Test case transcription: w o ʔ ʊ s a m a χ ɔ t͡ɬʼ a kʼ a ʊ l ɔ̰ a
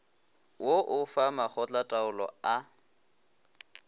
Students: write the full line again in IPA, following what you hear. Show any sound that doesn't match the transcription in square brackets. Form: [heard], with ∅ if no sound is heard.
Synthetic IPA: w o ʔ ʊ [f] a m a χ ɔ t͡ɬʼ a [tʼ] a ʊ l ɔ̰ a